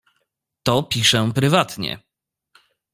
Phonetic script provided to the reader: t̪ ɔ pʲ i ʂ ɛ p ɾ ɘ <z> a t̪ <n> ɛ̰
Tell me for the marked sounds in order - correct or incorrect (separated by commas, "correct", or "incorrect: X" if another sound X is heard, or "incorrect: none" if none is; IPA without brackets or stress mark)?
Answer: incorrect: v, incorrect: ɲ